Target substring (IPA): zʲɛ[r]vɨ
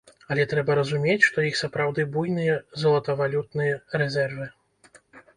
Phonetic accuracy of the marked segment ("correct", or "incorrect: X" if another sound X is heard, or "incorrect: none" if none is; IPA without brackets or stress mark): correct